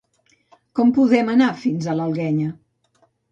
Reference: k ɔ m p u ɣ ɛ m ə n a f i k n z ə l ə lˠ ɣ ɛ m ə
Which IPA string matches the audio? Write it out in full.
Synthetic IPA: k ɔ m p u ð ɛ m ə n a f i n z ə l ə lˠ ɣ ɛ ɲ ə